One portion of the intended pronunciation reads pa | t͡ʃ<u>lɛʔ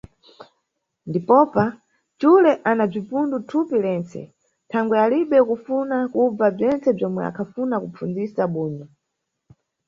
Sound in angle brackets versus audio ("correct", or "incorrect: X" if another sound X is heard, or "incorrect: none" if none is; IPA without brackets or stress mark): correct